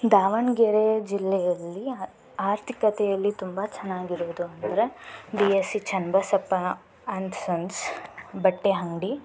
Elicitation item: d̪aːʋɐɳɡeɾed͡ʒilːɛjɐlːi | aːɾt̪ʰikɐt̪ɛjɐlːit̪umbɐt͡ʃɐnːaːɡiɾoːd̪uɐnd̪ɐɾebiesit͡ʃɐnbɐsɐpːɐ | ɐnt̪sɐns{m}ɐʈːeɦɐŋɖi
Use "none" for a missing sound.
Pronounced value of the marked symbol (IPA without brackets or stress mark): b